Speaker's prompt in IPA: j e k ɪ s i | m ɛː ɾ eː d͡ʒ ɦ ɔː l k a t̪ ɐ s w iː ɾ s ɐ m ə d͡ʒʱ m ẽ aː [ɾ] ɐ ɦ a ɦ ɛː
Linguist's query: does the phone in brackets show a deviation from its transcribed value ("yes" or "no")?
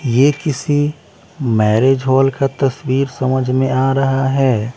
no